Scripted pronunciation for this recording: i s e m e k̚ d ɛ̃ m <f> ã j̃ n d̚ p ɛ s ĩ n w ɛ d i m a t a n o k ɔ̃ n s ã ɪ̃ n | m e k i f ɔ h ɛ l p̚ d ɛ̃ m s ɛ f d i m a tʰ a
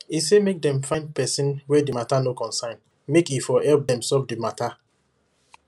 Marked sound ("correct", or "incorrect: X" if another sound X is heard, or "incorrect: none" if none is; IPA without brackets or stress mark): correct